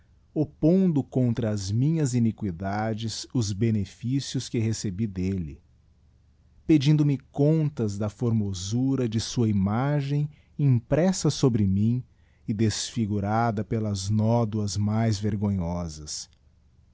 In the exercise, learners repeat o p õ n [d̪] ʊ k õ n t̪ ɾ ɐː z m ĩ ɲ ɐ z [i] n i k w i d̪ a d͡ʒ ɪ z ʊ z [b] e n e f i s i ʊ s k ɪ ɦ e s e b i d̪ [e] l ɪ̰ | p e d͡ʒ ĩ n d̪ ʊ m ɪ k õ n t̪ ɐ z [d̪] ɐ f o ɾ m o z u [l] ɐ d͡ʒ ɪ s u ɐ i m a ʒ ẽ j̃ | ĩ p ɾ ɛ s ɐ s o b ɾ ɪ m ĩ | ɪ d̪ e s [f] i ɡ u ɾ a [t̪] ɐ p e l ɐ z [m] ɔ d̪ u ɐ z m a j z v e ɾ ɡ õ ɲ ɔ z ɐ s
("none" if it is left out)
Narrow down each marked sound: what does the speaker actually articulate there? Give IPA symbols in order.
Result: d̪, i, b, e, d̪, ɾ, f, d̪, n

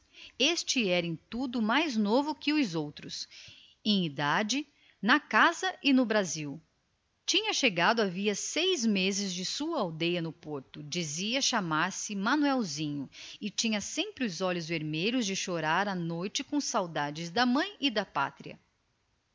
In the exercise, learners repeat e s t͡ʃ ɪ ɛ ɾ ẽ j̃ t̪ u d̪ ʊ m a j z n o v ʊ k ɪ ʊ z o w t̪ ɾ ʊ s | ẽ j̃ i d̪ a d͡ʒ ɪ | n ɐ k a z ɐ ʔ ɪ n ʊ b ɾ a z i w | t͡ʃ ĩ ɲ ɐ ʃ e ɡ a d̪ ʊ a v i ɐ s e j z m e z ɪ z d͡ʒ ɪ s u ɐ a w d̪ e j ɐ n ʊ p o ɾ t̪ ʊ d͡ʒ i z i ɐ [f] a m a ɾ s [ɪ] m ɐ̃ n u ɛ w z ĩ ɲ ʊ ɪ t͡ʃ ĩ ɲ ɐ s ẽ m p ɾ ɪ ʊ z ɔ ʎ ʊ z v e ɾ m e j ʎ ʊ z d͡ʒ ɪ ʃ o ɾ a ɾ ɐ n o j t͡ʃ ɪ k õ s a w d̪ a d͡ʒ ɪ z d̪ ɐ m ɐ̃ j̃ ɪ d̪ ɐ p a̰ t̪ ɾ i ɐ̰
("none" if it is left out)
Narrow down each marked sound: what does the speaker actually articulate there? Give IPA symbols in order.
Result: ʃ, ɪ

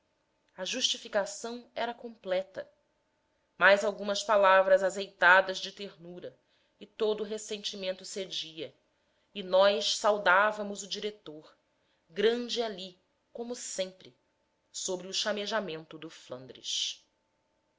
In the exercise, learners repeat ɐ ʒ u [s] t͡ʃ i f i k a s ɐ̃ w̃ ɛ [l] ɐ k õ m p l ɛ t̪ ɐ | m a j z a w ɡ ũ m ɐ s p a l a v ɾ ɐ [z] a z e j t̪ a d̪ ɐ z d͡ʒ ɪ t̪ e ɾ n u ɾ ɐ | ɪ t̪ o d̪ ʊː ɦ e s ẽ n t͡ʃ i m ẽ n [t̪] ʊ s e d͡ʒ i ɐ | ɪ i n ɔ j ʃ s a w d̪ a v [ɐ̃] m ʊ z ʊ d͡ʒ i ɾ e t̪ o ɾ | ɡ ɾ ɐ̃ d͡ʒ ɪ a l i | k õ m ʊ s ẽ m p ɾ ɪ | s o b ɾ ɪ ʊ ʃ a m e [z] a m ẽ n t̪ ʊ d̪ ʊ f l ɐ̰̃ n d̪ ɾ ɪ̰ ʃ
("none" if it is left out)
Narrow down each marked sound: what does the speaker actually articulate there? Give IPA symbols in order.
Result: ʃ, ɾ, z, t̪, ɐ, ʒ

